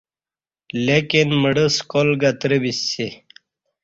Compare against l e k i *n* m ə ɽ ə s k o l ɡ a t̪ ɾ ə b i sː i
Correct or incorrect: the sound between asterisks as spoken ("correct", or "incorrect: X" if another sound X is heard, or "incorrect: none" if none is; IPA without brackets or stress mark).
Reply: correct